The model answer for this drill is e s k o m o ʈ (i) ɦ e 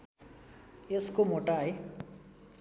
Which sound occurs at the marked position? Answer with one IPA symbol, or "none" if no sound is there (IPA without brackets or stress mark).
a